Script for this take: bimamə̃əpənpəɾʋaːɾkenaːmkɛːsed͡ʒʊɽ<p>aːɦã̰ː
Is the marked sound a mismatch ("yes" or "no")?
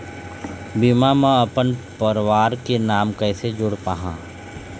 no